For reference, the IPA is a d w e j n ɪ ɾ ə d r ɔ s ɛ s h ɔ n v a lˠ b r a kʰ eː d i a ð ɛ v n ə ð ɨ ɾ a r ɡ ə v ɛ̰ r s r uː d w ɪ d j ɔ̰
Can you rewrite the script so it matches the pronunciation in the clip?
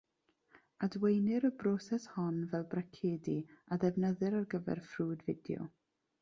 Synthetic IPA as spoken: a d w e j n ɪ ɾ ə b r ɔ s ɛ s h ɔ n v ɛ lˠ b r a kʰ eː d i a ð ɛ v n ə ð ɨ ɾ a r ɡ ə v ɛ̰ r f r uː d v ɪ d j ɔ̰